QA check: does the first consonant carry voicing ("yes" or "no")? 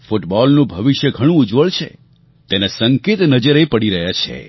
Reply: no